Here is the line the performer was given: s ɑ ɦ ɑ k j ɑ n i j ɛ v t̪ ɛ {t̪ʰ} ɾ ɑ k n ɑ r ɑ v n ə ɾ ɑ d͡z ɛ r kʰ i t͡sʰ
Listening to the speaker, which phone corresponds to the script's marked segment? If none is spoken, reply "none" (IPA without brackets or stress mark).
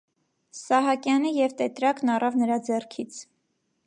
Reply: t̪